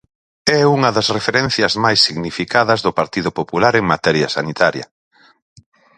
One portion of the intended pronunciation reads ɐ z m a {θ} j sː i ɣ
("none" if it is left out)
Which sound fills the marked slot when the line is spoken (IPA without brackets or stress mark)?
none